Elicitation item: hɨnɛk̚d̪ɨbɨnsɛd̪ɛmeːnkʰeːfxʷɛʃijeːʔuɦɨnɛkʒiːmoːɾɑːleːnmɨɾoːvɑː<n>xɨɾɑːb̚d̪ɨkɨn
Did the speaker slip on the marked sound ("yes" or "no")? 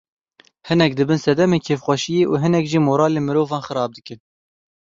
no